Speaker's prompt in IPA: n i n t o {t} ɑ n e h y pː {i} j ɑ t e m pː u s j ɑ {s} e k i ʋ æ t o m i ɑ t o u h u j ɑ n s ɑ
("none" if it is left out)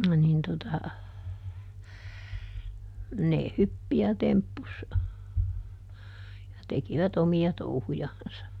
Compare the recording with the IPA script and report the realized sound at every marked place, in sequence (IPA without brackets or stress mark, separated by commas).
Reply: t, i, t